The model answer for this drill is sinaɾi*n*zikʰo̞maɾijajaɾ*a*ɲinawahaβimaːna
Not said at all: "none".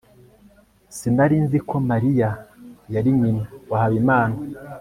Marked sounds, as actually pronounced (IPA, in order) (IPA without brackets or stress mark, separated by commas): n, i